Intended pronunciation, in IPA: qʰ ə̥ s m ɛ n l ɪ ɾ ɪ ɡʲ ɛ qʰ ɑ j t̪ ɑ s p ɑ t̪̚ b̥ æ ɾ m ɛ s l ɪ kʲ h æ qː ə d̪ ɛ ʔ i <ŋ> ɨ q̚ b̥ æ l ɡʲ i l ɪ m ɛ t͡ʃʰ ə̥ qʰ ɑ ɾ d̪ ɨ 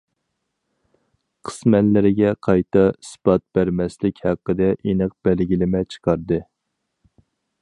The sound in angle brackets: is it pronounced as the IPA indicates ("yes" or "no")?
no